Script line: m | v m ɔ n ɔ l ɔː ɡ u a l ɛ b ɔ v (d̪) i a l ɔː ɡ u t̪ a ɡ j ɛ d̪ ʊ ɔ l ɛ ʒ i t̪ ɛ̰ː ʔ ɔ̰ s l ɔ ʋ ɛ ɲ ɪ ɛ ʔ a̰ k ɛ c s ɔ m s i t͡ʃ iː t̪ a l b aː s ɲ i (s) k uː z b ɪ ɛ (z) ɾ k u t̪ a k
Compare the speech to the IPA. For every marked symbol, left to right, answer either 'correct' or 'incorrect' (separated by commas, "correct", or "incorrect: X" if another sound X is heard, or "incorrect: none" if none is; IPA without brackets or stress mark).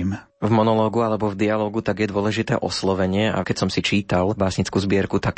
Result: correct, incorrect: t͡s, incorrect: none